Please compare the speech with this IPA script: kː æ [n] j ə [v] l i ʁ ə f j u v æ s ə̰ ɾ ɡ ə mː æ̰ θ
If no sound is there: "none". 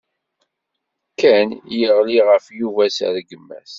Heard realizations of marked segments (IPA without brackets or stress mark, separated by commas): n, ʁ